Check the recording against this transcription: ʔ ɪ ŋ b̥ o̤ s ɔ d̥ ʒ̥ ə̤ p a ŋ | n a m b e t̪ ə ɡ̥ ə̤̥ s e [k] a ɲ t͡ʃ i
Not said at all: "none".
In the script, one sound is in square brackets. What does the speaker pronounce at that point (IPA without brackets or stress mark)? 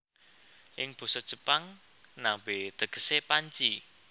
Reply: p